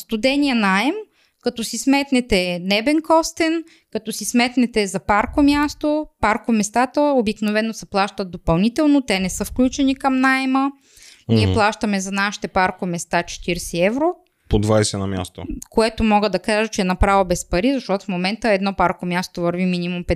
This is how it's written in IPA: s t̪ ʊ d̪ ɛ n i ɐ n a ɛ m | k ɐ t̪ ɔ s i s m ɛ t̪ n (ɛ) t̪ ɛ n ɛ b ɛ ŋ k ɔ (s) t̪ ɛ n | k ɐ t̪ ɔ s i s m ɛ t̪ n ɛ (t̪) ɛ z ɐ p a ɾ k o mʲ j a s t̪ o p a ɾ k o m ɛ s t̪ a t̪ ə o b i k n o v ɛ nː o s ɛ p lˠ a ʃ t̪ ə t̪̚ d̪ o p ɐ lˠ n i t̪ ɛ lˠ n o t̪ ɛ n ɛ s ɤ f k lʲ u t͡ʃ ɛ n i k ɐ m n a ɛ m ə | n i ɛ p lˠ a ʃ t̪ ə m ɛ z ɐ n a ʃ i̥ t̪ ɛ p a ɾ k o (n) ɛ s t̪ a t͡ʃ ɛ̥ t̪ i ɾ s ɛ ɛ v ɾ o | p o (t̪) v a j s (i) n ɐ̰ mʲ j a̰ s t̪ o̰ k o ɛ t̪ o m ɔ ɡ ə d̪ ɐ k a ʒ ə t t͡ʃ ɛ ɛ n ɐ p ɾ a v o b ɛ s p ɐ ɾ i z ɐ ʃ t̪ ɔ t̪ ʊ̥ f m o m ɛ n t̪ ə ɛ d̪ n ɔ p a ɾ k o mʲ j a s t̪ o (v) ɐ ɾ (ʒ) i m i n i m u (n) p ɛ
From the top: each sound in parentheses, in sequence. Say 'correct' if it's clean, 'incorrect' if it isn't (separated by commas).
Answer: correct, correct, correct, incorrect, incorrect, incorrect, correct, incorrect, incorrect